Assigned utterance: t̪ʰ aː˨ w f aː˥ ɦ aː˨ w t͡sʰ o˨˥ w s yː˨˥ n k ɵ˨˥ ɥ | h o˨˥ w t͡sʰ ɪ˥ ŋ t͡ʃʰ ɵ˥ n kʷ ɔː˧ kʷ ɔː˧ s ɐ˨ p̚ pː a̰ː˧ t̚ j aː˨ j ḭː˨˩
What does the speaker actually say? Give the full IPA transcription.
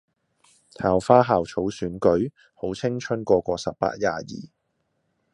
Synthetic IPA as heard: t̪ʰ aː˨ w f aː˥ ɦ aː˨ w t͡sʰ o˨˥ w s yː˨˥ n k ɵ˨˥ ɥ | h o˨˥ w t͡sʰ ɪ˥ ŋ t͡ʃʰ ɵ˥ n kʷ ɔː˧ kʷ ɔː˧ s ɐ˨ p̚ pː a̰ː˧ t̚ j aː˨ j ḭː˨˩

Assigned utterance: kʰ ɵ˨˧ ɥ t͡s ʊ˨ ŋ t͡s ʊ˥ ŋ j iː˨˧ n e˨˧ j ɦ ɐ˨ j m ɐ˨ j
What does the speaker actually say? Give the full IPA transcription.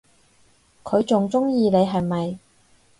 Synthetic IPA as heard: kʰ ɵ˨˧ ɥ t͡s ʊ˨ ŋ t͡s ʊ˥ ŋ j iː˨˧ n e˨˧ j ɦ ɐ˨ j m ɐ˨ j

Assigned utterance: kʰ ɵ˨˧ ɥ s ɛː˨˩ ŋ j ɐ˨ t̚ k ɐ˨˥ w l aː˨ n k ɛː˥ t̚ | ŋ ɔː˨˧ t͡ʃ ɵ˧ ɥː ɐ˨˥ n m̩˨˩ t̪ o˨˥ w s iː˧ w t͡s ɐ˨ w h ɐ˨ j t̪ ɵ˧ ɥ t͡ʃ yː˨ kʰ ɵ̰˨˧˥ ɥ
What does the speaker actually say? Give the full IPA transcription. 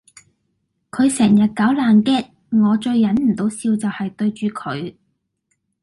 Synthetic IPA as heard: kʰ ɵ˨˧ ɥ s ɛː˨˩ ŋ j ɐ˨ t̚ k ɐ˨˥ w l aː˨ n k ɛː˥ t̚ | ŋ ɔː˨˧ t͡ʃ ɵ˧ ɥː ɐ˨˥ n m̩˨˩ t̪ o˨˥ w s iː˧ w t͡s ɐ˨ w h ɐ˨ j t̪ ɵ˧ ɥ t͡ʃ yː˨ kʰ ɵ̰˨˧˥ ɥ

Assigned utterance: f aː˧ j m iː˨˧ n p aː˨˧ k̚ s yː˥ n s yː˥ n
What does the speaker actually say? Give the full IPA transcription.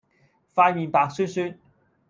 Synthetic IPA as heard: f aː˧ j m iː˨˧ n p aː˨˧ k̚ s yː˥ n s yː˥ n

